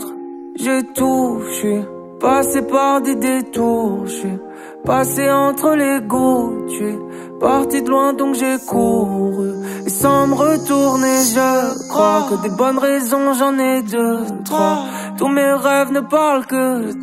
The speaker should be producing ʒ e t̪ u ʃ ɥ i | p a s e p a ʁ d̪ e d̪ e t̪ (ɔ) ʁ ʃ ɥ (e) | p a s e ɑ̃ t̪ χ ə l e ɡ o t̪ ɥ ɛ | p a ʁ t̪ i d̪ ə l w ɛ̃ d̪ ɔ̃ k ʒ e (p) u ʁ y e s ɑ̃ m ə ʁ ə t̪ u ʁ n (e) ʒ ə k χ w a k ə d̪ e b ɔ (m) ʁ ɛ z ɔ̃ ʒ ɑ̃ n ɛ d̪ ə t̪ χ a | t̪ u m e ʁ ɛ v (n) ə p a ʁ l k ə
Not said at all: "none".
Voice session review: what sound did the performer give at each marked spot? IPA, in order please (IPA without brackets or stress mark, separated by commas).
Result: u, i, k, e, n, n